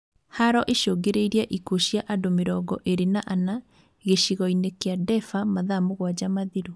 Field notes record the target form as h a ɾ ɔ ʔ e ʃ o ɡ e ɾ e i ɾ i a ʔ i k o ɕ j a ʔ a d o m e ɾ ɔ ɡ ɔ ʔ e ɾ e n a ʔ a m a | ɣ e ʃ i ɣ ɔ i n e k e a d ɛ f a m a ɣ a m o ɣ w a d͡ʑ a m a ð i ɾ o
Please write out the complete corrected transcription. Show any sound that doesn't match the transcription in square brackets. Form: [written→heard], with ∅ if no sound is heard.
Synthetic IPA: h a ɾ ɔ ʔ e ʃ o ɡ e ɾ e i ɾ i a ʔ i k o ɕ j a ʔ a d o m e ɾ ɔ ɡ ɔ ʔ e ɾ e n a ʔ a [m→n] a | ɣ e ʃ i ɣ ɔ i n e k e a d ɛ f a m a [ɣ→ð] a m o ɣ w a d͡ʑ a m a ð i ɾ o